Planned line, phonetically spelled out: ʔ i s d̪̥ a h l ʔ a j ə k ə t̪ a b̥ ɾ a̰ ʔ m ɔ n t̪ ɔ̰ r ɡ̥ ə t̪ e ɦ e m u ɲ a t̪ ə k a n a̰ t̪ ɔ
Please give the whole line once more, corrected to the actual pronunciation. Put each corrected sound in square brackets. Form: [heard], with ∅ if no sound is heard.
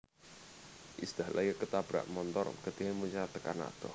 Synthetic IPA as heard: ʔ i s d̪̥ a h l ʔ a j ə k ə t̪ a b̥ ɾ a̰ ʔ m ɔ n t̪ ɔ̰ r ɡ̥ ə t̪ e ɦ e m u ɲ a t̪ ə k a n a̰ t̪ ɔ